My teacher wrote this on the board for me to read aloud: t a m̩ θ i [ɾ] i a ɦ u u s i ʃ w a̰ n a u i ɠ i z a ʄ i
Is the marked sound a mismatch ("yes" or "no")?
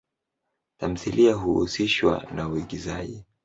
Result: yes